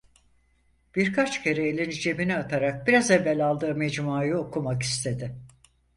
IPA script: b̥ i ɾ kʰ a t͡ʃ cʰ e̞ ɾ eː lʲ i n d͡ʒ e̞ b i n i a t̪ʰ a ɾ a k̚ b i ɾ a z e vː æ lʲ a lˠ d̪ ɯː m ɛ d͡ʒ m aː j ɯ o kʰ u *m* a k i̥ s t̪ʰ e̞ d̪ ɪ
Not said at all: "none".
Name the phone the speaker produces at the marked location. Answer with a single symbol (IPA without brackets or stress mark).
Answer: m